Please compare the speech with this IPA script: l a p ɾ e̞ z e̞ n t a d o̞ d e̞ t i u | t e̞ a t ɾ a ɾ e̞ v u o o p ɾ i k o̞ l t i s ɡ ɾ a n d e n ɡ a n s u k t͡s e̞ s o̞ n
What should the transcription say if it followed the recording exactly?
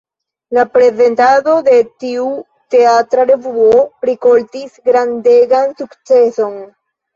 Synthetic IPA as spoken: l a p ɾ e̞ z e̞ n t a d o̞ d e̞ t i u | t e̞ a t ɾ a ɾ e̞ v u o o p ɾ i k o̞ l t i s ɡ ɾ a n d e ɡ a n s u k t͡s e̞ s o̞ n